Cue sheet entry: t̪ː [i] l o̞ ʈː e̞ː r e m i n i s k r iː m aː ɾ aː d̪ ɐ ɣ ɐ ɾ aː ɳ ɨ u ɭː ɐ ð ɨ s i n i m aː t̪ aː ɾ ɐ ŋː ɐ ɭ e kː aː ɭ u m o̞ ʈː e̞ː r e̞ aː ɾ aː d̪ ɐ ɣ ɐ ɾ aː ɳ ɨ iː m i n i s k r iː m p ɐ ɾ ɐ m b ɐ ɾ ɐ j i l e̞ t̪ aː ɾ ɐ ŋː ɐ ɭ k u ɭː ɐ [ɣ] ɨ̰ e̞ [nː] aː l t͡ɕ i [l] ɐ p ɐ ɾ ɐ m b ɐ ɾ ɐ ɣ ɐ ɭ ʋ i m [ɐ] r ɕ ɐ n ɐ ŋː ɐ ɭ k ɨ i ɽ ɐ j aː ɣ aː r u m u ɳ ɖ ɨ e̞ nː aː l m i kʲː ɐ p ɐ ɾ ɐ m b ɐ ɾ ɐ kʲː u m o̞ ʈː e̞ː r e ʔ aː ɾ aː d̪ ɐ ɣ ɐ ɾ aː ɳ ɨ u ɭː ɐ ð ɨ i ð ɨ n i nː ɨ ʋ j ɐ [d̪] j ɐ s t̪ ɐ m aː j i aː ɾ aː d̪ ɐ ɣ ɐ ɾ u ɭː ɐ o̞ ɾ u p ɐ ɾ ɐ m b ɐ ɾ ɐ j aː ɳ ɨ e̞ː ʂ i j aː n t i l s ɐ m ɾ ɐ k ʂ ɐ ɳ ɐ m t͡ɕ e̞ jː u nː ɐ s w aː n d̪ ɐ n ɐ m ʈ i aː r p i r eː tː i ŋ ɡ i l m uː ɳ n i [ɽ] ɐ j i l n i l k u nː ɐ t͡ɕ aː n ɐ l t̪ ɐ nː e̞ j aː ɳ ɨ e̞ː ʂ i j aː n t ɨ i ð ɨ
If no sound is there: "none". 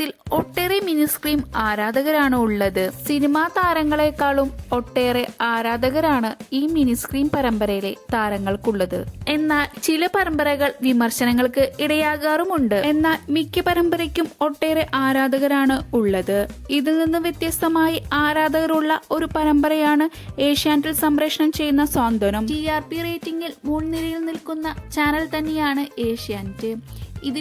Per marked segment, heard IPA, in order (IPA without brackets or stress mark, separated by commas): i, ð, nː, l, ɐ, t̪, l